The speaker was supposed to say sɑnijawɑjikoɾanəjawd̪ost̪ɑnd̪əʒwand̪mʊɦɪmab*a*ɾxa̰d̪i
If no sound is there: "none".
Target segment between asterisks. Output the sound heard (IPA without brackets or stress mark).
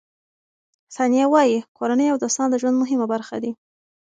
a